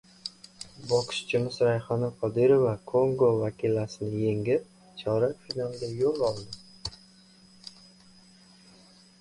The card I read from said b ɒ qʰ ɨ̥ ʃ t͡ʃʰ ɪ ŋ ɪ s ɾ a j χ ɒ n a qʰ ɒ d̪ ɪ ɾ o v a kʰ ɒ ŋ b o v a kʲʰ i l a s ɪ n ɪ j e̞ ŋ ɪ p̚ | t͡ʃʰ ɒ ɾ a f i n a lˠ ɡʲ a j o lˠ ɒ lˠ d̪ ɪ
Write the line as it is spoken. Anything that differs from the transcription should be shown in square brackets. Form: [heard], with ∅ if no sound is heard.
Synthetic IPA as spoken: b ɒ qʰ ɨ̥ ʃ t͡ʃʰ ɪ [m] ɪ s ɾ a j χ ɒ n a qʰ ɒ d̪ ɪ ɾ o v a kʰ [o] ŋ [ɡ] o v a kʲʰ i l a s ɪ n ɪ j e̞ ŋ ɪ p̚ | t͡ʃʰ ɒ ɾ a f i n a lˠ ɡʲ a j o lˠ ɒ lˠ d̪ ɪ